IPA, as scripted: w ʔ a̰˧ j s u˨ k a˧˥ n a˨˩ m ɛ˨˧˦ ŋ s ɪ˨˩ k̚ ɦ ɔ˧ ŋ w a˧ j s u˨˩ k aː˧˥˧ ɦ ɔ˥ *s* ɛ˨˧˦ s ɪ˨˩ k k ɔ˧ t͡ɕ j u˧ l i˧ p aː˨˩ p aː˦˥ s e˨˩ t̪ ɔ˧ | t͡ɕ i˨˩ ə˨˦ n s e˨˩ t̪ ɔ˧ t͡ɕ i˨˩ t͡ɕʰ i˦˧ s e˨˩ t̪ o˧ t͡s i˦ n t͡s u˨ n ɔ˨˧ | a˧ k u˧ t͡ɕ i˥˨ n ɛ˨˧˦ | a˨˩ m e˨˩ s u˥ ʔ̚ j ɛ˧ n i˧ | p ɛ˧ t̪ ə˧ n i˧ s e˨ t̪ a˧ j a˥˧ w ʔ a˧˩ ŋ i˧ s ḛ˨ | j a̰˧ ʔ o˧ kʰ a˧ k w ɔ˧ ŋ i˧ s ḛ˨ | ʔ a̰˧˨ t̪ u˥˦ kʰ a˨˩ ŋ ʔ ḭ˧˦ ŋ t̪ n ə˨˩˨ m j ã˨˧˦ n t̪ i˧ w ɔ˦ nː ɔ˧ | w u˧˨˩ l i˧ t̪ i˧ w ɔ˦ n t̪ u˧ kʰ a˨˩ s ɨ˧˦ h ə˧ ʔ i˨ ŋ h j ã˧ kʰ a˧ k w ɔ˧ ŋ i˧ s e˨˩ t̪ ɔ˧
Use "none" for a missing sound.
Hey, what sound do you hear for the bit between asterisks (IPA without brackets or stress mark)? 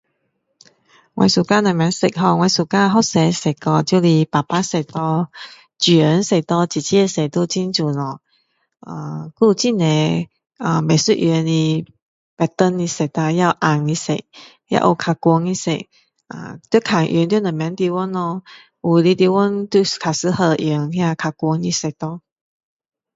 s